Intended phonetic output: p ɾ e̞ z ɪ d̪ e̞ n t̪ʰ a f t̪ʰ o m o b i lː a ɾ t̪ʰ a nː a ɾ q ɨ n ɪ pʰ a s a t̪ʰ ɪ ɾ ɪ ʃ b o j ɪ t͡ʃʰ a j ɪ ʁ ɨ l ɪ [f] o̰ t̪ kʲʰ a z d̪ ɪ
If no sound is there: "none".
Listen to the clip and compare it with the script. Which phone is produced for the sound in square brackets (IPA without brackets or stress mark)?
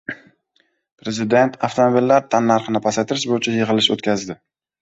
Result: ʃ